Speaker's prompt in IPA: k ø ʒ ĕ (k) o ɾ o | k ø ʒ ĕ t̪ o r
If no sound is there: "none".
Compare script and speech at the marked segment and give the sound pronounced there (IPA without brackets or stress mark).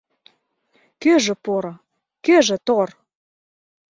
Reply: p